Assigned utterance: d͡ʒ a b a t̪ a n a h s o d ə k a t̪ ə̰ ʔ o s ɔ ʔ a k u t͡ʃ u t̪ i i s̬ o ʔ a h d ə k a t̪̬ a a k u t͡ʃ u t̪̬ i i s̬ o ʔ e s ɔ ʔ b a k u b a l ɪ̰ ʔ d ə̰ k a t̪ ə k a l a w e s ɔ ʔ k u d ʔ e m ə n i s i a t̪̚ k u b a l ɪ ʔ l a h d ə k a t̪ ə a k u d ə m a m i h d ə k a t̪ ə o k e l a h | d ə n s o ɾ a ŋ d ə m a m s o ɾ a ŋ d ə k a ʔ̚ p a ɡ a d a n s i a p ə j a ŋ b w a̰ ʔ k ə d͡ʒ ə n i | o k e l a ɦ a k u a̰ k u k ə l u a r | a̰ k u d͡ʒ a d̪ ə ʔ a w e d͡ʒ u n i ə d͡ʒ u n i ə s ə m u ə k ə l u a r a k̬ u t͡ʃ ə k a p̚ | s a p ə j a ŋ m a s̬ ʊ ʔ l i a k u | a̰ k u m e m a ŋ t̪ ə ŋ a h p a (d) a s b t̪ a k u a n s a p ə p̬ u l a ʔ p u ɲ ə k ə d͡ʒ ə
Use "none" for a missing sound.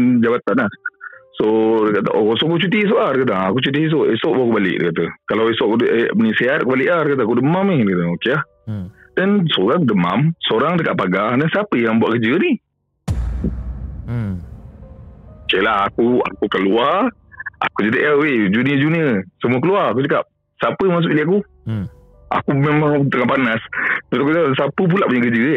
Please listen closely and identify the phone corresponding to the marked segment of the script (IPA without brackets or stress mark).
n